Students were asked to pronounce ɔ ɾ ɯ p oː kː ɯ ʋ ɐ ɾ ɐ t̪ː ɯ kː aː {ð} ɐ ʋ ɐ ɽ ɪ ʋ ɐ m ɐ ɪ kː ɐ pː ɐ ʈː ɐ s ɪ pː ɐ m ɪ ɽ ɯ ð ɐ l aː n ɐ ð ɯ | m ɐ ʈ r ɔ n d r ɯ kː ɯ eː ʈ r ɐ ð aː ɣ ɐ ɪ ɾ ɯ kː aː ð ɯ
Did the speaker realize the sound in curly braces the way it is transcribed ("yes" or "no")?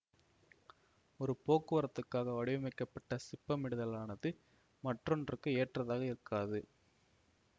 no